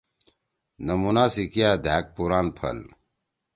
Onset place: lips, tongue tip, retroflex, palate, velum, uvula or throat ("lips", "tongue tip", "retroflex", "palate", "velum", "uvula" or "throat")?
tongue tip